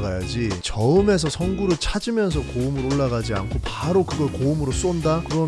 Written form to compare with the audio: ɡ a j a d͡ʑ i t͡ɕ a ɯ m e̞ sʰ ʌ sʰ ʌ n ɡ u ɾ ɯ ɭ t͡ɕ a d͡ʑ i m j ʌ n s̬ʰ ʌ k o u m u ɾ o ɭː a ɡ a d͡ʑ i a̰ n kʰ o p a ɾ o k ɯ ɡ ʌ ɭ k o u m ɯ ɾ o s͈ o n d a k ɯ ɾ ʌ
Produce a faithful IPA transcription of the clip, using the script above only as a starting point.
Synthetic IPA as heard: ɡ a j a d͡ʑ i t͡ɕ ʌ ɯ m e̞ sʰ ʌ sʰ ʌ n ɡ u ɾ ɯ ɭ t͡ɕʰ a d͡ʑ i m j ʌ n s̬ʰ ʌ k o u m ɯ ɾ o ɭː a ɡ a d͡ʑ i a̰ n kʰ o p a ɾ o k ɯ ɡ ʌ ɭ k o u m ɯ ɾ o s͈ o n d a k ɯ ɾ ʌ

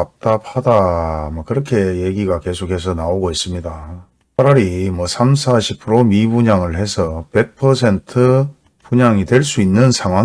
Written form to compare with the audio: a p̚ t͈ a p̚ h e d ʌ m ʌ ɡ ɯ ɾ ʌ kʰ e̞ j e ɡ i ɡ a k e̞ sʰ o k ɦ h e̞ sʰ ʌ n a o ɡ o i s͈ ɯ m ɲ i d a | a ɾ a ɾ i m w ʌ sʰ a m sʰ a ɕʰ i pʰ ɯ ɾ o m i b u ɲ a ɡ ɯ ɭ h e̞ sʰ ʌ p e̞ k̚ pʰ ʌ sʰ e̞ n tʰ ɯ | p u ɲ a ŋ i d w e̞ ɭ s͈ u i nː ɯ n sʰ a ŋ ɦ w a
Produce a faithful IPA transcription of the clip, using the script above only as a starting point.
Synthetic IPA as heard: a p̚ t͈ a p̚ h a d a m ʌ k ɯ ɾ ʌ kʰ e̞ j e ɡ i ɡ a k e̞ sʰ o k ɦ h e̞ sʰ ʌ n a o ɡ o i s͈ ɯ m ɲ i d a | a ɾ a ɾ i m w ʌ sʰ a m sʰ a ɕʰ i pʰ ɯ ɾ o m i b u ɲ a ŋ ɯ ɭ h e̞ sʰ ʌ p e̞ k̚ pʰ ʌ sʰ e̞ n tʰ ɯ | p u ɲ a ŋ i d w e̞ ɭ s͈ u i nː ɯ n sʰ a ŋ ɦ w a

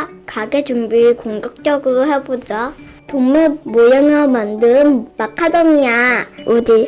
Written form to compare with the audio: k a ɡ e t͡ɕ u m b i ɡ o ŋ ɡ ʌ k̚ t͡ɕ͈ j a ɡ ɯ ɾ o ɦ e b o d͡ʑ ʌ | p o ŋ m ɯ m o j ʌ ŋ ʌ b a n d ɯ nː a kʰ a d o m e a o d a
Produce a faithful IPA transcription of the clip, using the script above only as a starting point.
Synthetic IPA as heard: k a ɡ e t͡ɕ u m b i k o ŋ ɡ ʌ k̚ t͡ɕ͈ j ʌ ɡ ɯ ɾ o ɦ e b o d͡ʑ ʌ | t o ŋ m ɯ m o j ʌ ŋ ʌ m a n d ɯ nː a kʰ a d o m i a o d i

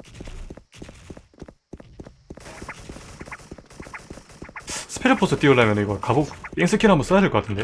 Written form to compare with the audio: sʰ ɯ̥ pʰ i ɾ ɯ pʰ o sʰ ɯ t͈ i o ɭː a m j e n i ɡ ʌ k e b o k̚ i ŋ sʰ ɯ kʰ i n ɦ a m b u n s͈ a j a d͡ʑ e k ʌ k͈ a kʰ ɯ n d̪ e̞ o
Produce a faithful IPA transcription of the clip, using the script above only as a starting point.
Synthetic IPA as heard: sʰ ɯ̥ pʰ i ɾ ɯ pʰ o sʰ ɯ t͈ i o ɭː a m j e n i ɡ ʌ k a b o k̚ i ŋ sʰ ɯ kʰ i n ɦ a m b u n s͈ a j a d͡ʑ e k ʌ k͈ a tʰ ɯ n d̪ e̞ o

